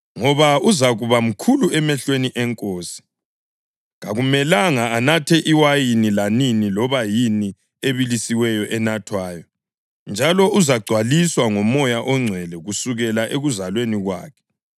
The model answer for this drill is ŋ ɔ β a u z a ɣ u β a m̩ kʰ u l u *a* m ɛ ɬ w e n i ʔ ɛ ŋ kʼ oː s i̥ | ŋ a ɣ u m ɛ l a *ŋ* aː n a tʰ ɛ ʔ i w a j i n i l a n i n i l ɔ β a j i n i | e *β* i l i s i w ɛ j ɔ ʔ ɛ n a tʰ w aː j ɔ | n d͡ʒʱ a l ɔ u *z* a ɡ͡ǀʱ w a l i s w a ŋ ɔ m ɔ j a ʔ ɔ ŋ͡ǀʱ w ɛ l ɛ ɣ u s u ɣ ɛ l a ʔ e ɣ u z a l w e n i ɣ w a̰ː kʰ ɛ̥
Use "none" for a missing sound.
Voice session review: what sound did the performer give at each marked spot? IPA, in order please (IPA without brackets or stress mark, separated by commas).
ɛ, ŋ, β, z